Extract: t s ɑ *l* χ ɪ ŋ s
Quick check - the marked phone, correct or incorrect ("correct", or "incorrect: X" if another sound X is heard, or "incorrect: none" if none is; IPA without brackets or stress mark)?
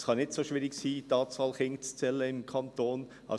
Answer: correct